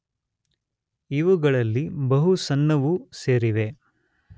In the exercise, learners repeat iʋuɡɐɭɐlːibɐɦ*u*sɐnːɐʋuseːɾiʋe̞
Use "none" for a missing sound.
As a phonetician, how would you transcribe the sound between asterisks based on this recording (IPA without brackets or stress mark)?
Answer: u